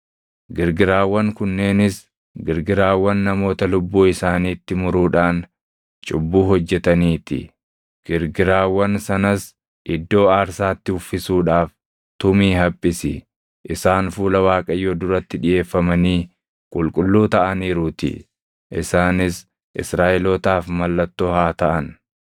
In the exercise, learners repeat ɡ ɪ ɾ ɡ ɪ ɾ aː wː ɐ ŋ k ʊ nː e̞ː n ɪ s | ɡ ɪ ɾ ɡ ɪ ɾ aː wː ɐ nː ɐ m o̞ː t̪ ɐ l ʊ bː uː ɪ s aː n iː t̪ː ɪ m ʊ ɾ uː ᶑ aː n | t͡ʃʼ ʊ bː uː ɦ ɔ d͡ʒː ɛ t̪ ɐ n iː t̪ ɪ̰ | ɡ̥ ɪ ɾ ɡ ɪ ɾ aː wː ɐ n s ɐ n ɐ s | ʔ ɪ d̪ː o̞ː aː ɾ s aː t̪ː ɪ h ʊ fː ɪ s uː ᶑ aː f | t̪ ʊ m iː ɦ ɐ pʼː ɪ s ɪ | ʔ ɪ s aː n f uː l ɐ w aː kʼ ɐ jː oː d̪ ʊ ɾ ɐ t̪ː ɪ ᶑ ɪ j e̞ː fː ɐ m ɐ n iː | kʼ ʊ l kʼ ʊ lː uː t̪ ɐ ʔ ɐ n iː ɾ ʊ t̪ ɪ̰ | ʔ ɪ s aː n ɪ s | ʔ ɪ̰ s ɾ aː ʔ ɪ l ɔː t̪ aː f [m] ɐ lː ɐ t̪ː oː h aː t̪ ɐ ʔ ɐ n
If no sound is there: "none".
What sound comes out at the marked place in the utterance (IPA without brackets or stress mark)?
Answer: m